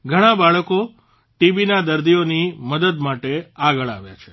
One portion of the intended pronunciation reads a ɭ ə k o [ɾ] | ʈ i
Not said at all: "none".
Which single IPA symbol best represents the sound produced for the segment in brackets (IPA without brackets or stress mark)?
none